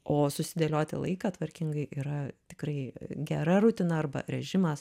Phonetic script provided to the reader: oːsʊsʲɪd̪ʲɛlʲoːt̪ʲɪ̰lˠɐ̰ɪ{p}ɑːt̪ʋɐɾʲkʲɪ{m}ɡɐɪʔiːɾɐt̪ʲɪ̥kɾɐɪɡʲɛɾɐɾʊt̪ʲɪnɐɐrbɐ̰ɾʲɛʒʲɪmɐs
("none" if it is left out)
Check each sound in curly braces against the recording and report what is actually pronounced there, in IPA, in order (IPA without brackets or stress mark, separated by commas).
k, ŋ